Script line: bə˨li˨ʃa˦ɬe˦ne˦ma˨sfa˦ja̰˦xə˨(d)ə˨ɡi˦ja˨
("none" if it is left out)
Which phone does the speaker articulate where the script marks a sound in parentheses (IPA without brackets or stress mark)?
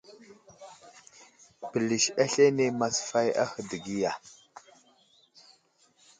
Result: d